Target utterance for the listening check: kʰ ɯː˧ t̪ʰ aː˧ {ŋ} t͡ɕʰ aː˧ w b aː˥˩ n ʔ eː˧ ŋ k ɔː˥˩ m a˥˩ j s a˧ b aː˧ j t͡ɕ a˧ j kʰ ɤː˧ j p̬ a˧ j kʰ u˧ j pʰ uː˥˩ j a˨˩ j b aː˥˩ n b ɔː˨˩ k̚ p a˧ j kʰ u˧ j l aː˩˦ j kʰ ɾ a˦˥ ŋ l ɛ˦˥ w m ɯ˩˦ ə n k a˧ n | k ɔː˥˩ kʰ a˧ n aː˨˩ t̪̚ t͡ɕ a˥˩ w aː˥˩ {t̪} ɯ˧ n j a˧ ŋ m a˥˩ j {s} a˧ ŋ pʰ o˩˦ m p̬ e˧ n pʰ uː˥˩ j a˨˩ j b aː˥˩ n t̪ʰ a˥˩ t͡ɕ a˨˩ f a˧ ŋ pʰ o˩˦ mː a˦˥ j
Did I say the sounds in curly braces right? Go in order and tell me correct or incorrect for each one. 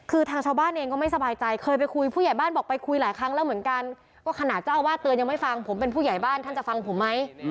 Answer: correct, correct, incorrect: f

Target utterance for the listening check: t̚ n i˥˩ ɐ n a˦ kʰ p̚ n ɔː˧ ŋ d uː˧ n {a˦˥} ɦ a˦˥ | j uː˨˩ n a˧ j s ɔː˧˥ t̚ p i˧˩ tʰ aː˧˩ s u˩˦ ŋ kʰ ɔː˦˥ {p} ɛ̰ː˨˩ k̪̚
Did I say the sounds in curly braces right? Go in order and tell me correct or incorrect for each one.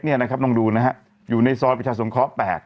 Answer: correct, correct

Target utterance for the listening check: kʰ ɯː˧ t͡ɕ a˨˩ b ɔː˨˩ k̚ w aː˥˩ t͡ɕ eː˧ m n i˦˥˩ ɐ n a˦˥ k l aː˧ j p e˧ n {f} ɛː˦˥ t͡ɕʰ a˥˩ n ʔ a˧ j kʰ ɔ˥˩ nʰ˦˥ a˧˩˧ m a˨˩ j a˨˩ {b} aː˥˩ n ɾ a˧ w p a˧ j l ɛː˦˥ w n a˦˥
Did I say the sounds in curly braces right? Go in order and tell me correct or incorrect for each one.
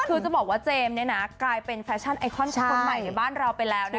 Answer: correct, correct

